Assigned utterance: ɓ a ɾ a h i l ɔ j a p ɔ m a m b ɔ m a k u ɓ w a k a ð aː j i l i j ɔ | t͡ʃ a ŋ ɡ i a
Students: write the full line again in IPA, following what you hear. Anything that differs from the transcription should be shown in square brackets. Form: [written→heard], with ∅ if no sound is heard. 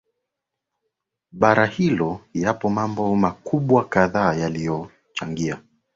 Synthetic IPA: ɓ a ɾ a h i l ɔ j a p ɔ m a m b ɔ m a k u ɓ w a k a ð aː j [i→a] l i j ɔ | t͡ʃ a ŋ ɡ i a

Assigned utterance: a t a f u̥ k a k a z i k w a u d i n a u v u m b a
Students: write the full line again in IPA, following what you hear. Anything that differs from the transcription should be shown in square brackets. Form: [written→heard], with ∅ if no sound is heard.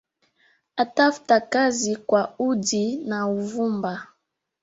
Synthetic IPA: a t a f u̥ [k→t] a k a z i k w a u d i n a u v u m b a

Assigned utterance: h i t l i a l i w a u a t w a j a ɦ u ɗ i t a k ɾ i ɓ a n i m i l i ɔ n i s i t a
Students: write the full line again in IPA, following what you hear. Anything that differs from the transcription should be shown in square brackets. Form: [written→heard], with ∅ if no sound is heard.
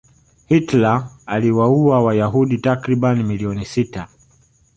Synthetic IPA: h i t l [i→a] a l i w a u a [t→∅] w a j a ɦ u ɗ i t a k ɾ i ɓ a n i m i l i ɔ n i s i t a

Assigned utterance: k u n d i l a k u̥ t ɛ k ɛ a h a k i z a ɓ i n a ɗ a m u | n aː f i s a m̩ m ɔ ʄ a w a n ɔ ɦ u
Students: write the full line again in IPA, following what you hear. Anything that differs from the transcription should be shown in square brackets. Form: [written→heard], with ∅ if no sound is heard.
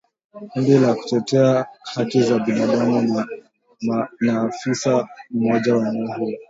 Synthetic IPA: k u n d i l a k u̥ t ɛ [k→t] ɛ a h a k i z a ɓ i n a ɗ a m u | n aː f i s a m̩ m ɔ ʄ a w a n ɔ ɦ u

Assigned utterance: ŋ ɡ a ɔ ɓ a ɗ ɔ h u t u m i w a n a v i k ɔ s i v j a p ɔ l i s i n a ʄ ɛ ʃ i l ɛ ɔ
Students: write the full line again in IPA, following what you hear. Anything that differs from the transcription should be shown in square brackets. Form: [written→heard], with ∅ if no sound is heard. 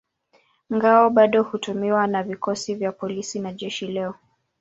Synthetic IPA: ŋ ɡ a ɔ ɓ a ɗ ɔ h u t u m i w a n a v i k ɔ s i v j a p ɔ l i s i n a ʄ ɛ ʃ i l ɛ ɔ

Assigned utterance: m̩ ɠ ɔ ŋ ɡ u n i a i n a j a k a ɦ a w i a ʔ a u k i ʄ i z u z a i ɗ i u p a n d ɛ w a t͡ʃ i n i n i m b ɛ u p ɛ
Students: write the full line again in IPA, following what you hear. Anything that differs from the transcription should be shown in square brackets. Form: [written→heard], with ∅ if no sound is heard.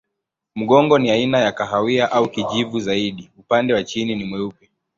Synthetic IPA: m̩ ɠ ɔ ŋ ɡ [u→ɔ] n i a i n a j a k a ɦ a w i a ʔ a u k i ʄ i [z→v] u z a i ɗ i u p a n d ɛ w a t͡ʃ i n i n i m [b→w] ɛ u p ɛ

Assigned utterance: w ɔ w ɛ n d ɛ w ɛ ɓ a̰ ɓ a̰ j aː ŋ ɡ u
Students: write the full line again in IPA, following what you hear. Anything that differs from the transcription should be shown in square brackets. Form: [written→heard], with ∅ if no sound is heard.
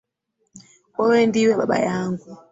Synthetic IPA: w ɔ w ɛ n d [ɛ→i] w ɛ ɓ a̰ ɓ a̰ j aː ŋ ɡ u

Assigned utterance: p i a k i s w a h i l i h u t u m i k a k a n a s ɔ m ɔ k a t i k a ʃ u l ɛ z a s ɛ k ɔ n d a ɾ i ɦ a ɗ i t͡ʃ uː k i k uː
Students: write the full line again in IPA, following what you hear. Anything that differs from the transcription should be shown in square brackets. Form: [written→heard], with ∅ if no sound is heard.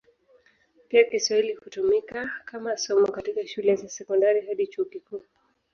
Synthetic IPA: p i a k i s w a h i l i h u t u m i k a k a [n→m] a s ɔ m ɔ k a t i k a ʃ u l ɛ z a s ɛ k ɔ n d a ɾ i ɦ a ɗ i t͡ʃ uː k i k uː

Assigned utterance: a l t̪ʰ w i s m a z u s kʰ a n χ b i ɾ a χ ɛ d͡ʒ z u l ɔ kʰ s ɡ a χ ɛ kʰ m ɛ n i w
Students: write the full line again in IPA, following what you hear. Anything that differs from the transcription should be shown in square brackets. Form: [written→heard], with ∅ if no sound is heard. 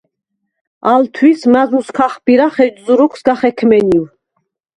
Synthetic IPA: a l t̪ʰ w i s m a z u s kʰ a [n→∅] χ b i ɾ a χ ɛ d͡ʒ z u [l→ɾ] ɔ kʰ s ɡ a χ ɛ kʰ m ɛ n i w

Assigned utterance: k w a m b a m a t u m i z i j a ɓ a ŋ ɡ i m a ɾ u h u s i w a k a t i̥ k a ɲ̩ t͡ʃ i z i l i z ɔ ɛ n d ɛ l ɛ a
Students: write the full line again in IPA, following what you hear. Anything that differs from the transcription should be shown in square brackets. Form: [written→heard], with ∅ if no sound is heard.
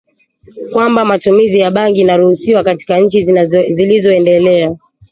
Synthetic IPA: k w a m b a m a t u m i z i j a ɓ a ŋ ɡ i [m→n] a ɾ u h u s i w a k a t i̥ k a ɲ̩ t͡ʃ i z i l i z ɔ ɛ n d ɛ l ɛ a

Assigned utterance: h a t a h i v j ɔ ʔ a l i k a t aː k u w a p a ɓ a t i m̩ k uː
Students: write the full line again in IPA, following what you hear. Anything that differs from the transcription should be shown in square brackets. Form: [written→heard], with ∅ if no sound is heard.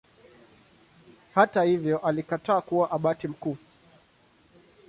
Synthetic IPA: h a t a h i v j ɔ ʔ a l i k a t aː k u w a [p→ʔ] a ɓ a t i m̩ k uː

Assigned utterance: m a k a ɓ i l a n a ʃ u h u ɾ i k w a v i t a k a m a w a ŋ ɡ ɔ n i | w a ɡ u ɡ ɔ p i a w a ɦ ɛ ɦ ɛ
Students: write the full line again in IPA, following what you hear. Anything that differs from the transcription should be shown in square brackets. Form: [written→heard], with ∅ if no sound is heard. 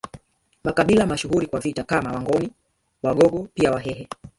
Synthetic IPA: m a k a ɓ i l a [n→m] a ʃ u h u ɾ i k w a v i t a k a m a w a ŋ ɡ ɔ n i | w a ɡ [u→ɔ] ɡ ɔ p i a w a ɦ ɛ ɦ ɛ

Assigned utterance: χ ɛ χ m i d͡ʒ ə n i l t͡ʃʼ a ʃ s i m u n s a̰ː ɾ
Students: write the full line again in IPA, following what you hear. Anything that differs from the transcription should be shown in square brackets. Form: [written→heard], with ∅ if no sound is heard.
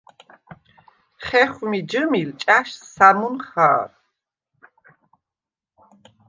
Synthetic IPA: χ ɛ χ m i d͡ʒ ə [n→m] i l t͡ʃʼ a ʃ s [i→a] m u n [s→χ] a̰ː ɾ

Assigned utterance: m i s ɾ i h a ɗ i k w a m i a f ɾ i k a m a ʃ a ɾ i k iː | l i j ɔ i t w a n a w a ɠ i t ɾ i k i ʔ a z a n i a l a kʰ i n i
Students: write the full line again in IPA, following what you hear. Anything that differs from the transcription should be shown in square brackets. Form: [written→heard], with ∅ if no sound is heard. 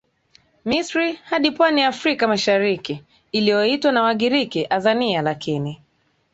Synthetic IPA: m i s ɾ i h a ɗ i [k→p] w a [m→n] i a f ɾ i k a m a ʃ a ɾ i k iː | l i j ɔ i t w a n a w a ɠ i [t→∅] ɾ i k i ʔ a z a n i a l a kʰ i n i

